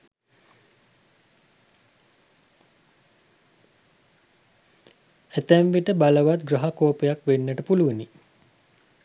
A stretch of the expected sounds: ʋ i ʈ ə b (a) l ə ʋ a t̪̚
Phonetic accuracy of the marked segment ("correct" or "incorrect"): correct